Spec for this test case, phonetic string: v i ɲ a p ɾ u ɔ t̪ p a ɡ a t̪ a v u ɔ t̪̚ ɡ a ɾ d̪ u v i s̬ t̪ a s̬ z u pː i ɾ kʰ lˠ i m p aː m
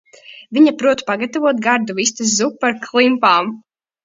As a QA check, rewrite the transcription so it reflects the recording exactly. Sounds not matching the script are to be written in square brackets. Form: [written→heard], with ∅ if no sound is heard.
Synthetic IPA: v i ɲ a p ɾ u ɔ t̪ p a ɡ a t̪ a v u ɔ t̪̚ ɡ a ɾ d̪ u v i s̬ t̪ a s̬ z u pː [i→a] ɾ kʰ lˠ i m p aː m